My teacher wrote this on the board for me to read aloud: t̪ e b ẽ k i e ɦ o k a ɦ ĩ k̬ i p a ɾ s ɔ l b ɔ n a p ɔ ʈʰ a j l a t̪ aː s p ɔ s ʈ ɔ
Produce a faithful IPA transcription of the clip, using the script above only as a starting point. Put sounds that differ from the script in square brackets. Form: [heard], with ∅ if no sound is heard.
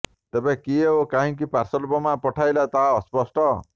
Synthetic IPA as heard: t̪ e b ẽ k i e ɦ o k a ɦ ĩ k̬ i p a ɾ s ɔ l b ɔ [m] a p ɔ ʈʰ a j l a t̪ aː s p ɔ s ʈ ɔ